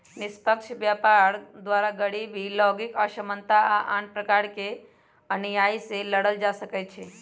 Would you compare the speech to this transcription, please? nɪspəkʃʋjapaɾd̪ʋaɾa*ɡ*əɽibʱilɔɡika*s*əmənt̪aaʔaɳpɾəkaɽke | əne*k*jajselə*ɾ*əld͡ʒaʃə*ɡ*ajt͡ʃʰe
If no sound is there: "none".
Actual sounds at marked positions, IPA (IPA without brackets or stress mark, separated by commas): ɡ, ʃ, none, ɽ, k